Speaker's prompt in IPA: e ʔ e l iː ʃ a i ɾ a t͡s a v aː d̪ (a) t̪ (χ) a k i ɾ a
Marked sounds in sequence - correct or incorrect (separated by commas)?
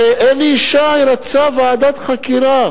correct, correct